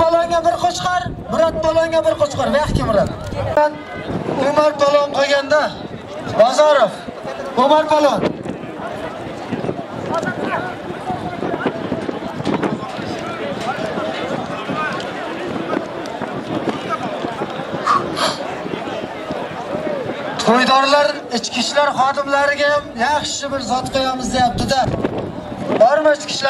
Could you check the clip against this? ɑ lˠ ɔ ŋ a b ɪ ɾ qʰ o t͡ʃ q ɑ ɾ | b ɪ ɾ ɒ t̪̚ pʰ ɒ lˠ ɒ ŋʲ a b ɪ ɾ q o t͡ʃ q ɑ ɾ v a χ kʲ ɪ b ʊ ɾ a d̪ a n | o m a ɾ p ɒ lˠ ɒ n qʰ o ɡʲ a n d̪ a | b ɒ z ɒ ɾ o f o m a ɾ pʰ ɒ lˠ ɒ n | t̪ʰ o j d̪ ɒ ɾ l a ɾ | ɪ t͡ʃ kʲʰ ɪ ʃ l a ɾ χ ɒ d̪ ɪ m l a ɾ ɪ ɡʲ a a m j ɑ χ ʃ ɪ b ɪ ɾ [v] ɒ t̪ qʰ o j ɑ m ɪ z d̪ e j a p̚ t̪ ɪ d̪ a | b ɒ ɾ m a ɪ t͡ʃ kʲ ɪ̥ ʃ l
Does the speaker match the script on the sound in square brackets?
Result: no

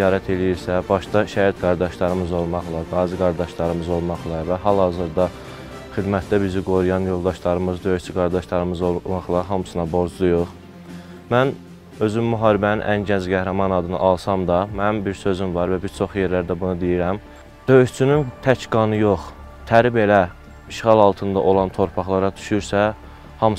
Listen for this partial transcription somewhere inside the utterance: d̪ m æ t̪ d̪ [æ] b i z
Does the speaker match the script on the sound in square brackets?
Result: yes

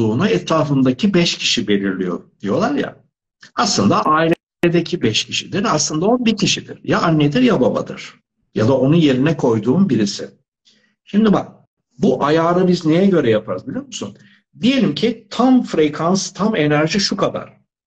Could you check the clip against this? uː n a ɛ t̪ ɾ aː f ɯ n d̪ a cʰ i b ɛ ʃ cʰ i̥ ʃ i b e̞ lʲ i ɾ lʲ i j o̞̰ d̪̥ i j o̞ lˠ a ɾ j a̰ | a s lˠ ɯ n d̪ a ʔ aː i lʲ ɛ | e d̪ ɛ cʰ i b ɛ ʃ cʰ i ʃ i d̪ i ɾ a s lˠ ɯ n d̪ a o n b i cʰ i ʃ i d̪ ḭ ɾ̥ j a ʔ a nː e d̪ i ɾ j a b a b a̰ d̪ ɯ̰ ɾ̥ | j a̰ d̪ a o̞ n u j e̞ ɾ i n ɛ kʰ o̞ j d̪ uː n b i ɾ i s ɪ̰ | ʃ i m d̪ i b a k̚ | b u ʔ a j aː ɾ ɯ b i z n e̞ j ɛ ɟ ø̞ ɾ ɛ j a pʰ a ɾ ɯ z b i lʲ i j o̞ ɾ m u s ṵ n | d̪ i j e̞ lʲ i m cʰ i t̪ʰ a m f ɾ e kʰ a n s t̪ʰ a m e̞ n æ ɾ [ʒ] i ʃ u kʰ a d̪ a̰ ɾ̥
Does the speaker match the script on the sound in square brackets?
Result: yes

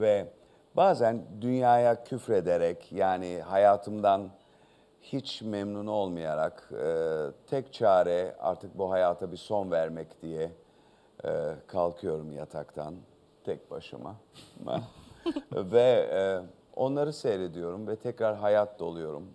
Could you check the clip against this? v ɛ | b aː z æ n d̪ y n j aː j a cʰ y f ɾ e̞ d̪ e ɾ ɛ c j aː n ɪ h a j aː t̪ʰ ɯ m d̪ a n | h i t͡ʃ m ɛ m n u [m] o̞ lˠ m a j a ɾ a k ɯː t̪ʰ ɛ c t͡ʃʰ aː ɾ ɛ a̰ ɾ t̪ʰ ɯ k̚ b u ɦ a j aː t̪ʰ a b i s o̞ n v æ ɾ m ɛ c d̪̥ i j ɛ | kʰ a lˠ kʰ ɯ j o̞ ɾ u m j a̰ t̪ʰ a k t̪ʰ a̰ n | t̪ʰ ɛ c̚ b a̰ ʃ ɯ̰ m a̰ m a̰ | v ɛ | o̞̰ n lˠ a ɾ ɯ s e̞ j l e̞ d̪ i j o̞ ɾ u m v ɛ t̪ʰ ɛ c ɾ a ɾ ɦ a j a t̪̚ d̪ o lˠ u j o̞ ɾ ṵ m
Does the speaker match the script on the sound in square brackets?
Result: no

